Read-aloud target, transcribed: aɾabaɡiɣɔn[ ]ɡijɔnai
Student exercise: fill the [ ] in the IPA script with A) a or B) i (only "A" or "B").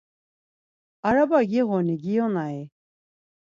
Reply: B